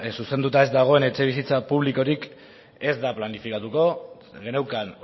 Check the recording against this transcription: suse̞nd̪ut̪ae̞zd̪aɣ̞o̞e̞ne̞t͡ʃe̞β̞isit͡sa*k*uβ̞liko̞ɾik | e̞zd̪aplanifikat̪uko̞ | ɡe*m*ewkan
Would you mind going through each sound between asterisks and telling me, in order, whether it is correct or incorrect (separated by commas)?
incorrect, incorrect